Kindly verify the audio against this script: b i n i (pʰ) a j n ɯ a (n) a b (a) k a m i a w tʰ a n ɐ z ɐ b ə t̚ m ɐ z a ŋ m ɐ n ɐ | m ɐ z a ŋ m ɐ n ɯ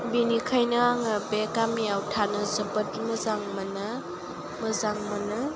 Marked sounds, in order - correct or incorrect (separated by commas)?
incorrect, incorrect, incorrect